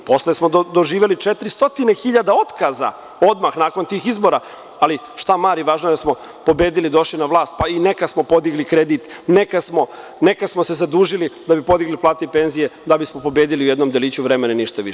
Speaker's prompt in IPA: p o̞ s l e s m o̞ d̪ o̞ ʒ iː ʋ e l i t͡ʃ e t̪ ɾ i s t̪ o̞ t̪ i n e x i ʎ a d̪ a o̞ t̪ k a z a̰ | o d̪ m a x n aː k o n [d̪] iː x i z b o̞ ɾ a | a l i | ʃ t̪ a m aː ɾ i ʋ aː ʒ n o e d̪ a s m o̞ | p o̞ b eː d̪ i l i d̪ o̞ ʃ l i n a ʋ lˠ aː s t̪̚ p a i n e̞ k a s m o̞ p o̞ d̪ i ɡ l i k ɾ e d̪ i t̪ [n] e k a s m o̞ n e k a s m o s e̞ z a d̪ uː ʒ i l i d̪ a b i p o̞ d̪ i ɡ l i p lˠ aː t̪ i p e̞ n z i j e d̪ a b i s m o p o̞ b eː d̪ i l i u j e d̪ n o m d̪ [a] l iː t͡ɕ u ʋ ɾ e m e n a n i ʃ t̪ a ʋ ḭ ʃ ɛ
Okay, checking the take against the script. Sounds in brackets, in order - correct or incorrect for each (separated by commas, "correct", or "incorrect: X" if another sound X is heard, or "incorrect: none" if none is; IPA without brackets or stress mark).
incorrect: t̪, correct, incorrect: e